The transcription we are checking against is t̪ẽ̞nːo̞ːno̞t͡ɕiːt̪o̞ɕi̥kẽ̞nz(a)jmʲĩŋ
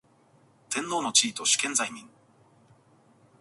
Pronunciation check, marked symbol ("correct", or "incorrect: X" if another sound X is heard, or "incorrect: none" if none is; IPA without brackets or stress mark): correct